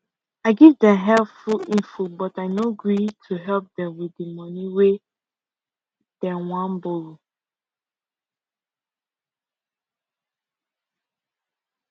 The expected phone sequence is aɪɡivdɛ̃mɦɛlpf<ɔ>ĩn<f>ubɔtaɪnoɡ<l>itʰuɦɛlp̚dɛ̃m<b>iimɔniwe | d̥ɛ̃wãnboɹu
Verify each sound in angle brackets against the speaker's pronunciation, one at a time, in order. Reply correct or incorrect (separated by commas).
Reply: incorrect, correct, incorrect, incorrect